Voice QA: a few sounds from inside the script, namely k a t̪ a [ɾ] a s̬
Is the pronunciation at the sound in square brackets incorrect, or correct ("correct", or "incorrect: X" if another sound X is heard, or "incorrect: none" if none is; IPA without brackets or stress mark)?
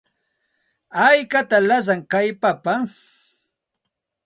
incorrect: l